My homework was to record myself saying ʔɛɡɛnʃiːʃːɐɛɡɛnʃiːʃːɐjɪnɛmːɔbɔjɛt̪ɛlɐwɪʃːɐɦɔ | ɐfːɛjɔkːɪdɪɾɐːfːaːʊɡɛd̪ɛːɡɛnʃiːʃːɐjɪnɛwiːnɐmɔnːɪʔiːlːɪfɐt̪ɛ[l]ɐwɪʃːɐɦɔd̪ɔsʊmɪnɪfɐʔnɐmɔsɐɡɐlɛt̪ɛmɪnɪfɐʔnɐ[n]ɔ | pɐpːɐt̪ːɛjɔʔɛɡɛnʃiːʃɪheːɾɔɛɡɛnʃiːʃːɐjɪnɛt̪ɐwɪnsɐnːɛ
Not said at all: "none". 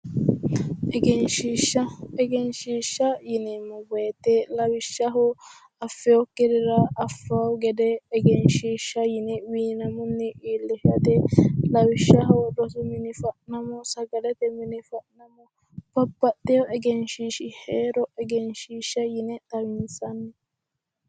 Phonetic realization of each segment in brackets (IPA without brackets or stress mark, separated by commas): l, m